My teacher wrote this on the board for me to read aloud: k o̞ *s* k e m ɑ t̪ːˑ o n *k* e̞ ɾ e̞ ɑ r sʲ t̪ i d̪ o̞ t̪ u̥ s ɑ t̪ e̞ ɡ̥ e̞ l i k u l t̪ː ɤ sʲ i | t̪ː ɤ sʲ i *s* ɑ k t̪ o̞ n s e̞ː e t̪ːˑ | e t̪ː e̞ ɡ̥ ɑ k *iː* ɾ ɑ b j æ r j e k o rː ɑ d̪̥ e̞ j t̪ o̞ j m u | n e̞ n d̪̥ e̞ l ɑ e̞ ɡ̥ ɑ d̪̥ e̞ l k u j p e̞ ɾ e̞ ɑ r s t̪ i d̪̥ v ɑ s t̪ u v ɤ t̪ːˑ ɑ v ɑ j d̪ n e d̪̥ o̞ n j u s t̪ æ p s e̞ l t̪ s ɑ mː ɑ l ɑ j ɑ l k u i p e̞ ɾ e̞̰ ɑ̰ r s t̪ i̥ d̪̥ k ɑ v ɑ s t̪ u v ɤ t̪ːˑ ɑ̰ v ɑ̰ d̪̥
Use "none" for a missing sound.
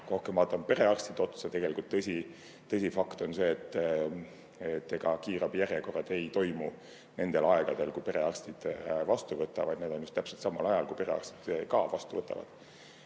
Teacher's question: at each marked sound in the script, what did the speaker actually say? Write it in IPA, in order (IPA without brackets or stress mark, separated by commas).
h, p, f, iː